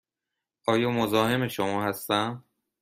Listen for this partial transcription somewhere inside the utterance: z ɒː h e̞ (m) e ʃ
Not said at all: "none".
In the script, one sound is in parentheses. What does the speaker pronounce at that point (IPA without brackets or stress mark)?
m